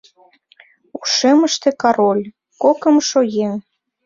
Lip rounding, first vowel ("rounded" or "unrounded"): rounded